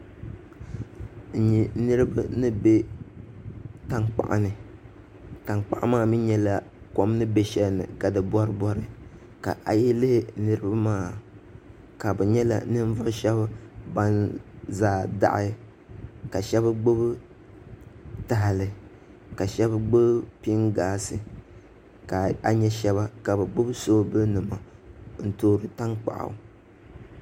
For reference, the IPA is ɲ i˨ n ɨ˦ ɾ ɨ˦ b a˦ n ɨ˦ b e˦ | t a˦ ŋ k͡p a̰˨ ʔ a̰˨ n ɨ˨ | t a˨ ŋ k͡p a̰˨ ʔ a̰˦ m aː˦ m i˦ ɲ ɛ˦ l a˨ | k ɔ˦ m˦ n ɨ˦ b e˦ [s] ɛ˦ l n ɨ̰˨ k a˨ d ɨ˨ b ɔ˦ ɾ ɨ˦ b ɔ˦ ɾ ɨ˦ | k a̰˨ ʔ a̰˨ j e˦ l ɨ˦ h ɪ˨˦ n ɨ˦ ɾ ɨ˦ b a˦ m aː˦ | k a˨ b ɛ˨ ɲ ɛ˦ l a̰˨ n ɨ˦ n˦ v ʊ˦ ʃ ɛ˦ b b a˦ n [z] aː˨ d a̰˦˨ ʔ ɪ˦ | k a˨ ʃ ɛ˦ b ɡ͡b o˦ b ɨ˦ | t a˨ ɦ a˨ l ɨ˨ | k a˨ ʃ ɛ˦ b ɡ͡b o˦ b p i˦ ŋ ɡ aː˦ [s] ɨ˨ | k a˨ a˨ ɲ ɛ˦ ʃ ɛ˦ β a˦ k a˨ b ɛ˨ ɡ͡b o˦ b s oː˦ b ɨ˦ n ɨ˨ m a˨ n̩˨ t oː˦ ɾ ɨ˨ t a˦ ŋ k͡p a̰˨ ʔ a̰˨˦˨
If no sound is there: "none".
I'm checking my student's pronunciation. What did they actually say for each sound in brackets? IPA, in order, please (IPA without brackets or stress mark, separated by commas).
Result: ʃ, z, s